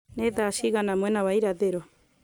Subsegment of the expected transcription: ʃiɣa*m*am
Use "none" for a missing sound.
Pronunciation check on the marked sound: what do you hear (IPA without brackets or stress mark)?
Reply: n